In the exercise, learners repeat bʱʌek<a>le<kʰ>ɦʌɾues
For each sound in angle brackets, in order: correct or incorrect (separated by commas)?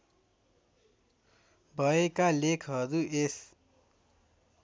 correct, correct